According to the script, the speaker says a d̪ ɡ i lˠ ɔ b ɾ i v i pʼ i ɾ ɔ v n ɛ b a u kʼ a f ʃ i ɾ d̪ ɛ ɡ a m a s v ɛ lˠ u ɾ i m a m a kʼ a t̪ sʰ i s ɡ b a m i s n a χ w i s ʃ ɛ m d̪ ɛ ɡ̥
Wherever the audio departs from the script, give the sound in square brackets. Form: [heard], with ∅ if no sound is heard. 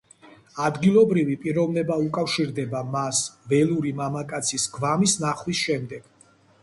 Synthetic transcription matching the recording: a d̪ ɡ i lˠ ɔ b ɾ i v i pʼ i ɾ ɔ v n ɛ b a u kʼ a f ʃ i ɾ d̪ ɛ [b] a m a s v ɛ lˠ u ɾ i m a m a kʼ a t̪ sʰ i s ɡ [v] a m i s n a χ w i s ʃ ɛ m d̪ ɛ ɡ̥